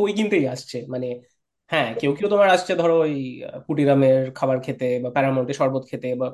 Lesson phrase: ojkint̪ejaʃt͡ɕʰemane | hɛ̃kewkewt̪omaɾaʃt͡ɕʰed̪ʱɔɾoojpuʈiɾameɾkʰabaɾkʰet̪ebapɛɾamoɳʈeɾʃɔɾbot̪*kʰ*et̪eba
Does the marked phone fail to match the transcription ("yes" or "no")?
no